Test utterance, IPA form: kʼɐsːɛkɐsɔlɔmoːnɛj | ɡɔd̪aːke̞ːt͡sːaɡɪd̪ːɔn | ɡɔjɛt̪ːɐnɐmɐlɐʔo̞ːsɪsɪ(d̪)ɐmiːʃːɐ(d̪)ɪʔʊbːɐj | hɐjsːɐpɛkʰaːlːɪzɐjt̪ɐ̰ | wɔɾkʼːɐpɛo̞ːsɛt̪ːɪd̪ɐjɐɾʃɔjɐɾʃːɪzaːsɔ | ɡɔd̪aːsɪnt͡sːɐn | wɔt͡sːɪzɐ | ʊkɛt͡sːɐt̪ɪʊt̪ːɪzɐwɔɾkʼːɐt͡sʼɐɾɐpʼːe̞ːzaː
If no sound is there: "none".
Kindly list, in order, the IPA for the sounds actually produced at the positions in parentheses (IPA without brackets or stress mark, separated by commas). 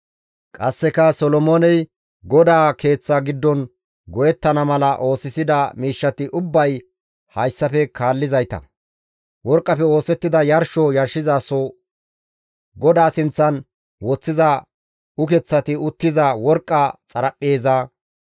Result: d̪, t̪